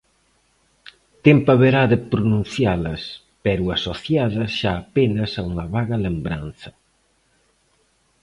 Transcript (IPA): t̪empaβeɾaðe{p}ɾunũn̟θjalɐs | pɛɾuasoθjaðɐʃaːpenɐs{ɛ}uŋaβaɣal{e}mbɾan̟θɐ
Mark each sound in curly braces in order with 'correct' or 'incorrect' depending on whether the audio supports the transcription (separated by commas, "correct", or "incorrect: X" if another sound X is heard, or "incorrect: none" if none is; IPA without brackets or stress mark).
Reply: correct, incorrect: a, correct